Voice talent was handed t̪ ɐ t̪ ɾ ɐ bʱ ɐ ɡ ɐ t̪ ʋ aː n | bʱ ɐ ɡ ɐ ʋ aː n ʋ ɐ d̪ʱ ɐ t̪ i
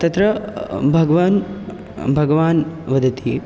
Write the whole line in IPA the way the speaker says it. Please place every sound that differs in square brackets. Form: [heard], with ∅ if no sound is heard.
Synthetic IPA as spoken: t̪ ɐ t̪ ɾ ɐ bʱ ɐ ɡ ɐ [∅] ʋ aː n | bʱ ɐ ɡ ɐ ʋ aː n ʋ ɐ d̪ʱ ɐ t̪ i

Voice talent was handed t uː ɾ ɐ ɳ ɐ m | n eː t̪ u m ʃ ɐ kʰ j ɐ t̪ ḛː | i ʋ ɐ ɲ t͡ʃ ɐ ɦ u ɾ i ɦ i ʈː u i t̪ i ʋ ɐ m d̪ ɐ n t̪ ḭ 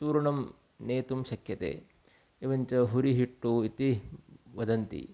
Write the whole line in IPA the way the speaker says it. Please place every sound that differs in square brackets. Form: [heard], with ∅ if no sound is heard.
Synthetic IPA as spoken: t uː ɾ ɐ ɳ ɐ m | n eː t̪ u m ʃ ɐ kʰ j ɐ t̪ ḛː | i ʋ ɐ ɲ t͡ʃ ɐ ɦ u ɾ i ɦ i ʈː u i t̪ i ʋ ɐ [∅] d̪ ɐ n t̪ ḭ

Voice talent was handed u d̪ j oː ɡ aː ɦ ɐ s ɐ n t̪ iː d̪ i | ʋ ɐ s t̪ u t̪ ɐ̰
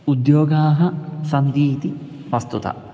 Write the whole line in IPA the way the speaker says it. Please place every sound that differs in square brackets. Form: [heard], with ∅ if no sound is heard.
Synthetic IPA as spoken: u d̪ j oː ɡ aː ɦ ɐ s ɐ n [d̪] iː [t̪] i | ʋ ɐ s t̪ u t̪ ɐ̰

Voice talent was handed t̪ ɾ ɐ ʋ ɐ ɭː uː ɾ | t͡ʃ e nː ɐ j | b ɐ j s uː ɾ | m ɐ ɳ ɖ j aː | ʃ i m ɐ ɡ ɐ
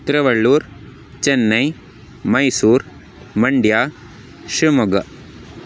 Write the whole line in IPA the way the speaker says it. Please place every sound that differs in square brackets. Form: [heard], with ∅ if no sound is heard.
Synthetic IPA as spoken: t̪ ɾ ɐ ʋ ɐ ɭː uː ɾ | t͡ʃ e nː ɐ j | [m] ɐ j s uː ɾ | m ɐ ɳ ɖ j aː | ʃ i m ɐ ɡ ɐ

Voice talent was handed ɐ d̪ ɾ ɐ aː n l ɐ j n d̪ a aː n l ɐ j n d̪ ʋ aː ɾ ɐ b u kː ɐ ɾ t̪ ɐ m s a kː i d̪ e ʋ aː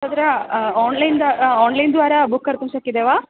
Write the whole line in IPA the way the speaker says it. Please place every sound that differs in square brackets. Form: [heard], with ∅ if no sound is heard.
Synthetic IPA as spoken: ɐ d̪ ɾ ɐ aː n l ɐ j n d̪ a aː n l ɐ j n d̪ ʋ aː ɾ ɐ b u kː ɐ ɾ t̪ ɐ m s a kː i d̪ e ʋ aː

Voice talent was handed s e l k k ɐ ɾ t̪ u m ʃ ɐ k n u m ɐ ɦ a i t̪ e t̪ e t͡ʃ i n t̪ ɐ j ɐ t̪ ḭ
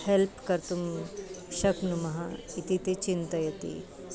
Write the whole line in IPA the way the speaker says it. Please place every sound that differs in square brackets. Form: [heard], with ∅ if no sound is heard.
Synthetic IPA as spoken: [h] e l [p] k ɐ ɾ t̪ u m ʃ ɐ k n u m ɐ ɦ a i t̪ [i] t̪ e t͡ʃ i n t̪ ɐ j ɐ t̪ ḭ

